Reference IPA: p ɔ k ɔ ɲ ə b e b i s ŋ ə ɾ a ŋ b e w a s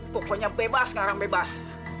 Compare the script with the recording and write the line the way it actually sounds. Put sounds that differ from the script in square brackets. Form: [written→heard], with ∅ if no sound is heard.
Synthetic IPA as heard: p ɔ k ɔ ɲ [ə→a] b e b [i→a] s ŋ [ə→a] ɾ a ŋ b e [w→b] a s